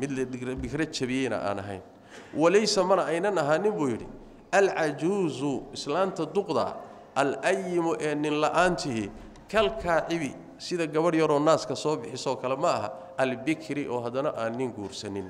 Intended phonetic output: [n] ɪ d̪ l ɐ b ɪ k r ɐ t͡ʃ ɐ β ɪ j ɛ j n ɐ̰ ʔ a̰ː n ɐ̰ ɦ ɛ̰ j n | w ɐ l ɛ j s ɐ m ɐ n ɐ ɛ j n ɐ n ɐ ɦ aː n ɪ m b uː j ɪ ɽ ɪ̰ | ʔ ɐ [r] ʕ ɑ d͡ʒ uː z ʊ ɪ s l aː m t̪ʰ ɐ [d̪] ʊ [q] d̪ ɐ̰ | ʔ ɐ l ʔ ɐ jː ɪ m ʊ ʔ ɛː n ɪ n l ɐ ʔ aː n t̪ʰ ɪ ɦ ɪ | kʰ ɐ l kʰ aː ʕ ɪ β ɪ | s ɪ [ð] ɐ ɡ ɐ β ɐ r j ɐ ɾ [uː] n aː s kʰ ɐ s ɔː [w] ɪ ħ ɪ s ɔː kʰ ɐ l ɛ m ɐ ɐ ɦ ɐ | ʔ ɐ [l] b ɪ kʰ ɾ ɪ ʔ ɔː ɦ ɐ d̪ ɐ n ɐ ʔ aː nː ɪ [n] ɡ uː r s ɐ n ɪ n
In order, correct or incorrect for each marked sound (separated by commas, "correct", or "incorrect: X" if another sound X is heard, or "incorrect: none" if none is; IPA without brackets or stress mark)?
incorrect: m, incorrect: l, correct, correct, correct, incorrect: ɔː, incorrect: b, correct, incorrect: ŋ